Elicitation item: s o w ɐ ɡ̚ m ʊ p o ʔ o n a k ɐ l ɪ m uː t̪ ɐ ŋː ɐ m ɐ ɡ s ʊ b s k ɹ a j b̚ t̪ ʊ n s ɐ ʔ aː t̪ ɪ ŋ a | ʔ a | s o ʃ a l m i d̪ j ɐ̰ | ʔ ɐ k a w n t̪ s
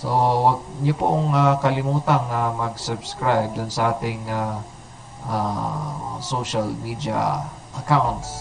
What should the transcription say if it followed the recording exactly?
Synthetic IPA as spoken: s o w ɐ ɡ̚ ɲ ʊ p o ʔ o ŋ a k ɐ l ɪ m uː t̪ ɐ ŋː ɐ m ɐ ɡ s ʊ b s k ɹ a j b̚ d̪ ʊ n s ɐ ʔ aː t̪ ɪ ŋ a | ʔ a | s o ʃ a l m i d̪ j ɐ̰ | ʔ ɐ k a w n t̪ s